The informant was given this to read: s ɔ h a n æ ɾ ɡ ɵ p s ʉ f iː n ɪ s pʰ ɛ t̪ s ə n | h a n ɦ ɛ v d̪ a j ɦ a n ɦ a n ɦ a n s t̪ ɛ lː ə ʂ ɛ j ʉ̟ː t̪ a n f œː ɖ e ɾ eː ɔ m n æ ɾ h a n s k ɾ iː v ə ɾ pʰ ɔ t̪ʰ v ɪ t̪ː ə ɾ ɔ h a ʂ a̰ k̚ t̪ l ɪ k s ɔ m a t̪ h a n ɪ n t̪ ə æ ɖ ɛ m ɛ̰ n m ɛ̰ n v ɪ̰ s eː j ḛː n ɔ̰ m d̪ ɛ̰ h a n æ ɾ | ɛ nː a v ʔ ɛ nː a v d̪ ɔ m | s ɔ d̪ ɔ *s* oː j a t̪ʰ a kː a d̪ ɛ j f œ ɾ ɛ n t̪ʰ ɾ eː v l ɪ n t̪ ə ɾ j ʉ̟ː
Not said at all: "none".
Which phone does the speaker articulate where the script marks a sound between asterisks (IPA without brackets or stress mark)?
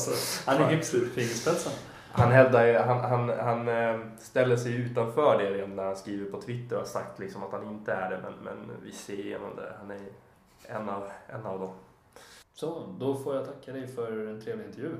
f